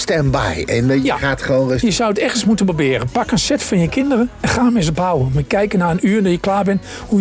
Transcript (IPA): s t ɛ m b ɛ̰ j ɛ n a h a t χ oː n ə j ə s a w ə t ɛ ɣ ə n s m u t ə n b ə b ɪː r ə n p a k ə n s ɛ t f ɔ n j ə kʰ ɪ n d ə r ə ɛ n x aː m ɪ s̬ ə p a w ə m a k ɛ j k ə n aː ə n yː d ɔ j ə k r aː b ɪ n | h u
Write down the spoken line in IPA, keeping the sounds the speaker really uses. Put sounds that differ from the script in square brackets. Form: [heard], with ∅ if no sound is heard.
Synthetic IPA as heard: s t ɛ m b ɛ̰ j ɛ n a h a t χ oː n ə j ə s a w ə t ɛ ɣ ə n s m u t ə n b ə b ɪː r ə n p a k ə n s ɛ t f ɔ n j ə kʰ ɪ n d ə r ə ɛ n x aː m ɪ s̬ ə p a w ə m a k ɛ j k ə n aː ə n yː d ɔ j ə k [l] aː b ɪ n | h u